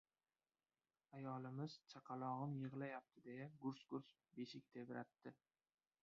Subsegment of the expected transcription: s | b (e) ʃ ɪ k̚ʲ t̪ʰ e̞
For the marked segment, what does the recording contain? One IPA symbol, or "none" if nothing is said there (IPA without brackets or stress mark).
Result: e